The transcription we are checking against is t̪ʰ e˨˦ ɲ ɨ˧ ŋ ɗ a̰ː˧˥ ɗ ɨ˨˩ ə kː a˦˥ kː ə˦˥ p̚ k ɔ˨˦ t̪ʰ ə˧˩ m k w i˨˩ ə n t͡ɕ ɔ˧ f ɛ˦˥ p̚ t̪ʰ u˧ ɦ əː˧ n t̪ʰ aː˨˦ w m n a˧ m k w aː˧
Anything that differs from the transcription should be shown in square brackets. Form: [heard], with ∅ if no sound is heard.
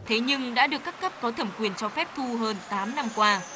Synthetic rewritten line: t̪ʰ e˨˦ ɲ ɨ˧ ŋ ɗ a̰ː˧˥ ɗ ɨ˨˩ ə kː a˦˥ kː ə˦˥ p̚ k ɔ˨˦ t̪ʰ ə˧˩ m k w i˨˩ ə n t͡ɕ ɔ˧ f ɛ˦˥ p̚ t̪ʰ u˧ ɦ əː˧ n [t̪] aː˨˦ [∅] m n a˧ m k w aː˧